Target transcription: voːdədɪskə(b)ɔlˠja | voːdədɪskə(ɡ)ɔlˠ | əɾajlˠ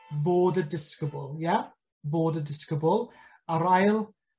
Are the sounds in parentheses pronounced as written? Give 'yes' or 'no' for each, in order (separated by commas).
yes, no